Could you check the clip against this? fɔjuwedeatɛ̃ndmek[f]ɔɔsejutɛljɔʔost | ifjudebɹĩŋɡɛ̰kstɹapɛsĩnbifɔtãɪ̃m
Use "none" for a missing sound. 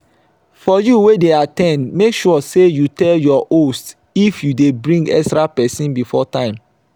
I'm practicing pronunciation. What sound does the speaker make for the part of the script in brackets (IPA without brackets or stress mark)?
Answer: ʃ